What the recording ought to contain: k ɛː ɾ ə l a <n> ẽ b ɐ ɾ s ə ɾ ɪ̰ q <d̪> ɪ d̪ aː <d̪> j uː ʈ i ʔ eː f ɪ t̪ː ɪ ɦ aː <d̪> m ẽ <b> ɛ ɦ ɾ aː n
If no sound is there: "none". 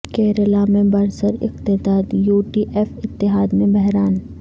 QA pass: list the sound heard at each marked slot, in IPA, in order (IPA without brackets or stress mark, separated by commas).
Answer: m, t̪, d̪, d̪, b